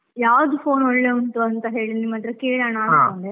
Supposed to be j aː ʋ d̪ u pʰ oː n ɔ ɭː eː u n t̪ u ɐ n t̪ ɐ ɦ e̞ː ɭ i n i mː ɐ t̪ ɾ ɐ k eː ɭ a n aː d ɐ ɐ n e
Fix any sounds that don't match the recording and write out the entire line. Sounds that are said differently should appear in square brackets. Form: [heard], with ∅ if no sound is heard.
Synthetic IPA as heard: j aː ʋ d̪ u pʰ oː n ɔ ɭː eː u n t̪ u ɐ n t̪ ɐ ɦ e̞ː ɭ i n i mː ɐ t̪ ɾ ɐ k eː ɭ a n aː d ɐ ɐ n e